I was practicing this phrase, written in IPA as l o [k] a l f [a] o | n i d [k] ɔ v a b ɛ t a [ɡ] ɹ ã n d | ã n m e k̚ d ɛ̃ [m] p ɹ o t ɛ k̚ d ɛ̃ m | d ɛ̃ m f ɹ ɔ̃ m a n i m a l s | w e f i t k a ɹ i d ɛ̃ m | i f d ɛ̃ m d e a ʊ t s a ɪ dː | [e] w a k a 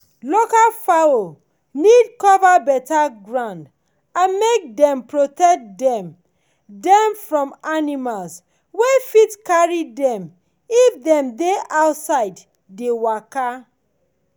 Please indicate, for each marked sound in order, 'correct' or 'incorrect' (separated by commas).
correct, correct, correct, correct, correct, correct